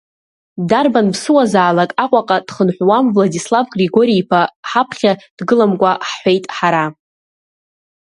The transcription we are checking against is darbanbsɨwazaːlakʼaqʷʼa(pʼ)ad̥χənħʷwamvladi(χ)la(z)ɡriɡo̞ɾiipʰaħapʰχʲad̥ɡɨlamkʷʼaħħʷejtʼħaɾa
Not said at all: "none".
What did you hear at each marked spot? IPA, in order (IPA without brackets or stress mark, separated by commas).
qʼ, s, v